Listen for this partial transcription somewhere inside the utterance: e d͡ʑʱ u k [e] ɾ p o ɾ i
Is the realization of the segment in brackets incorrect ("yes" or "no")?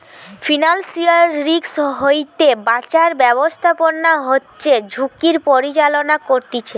yes